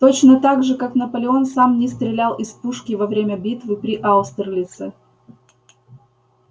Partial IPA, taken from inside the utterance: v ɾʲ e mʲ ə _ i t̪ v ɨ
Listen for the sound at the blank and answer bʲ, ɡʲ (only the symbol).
bʲ